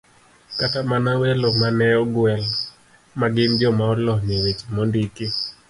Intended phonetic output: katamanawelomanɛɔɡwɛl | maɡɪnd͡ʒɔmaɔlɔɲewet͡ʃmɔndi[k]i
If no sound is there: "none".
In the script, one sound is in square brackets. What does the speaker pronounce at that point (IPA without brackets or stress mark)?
k